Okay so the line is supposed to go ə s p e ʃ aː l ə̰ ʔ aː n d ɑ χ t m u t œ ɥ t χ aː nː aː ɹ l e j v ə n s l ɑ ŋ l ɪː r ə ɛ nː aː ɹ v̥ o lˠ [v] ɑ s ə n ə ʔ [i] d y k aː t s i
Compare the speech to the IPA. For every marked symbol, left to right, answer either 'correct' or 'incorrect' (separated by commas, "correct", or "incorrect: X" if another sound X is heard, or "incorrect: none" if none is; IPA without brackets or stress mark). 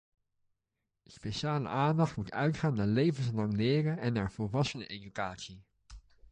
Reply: incorrect: ʋ, incorrect: e